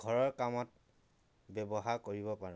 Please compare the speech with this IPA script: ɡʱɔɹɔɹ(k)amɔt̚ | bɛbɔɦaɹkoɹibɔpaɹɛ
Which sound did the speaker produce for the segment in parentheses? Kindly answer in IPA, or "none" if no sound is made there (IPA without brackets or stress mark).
k